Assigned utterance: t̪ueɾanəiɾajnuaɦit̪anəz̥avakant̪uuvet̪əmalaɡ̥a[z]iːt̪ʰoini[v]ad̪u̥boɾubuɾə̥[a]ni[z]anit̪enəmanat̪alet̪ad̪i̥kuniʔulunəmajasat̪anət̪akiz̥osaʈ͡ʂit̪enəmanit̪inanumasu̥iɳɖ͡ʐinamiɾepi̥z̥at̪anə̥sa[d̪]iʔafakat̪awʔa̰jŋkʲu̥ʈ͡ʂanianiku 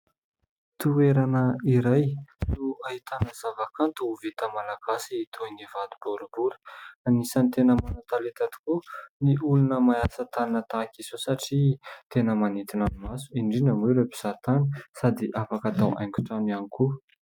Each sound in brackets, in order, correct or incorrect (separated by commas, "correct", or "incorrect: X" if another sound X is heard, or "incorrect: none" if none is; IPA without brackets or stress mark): incorrect: s, correct, correct, incorrect: s, correct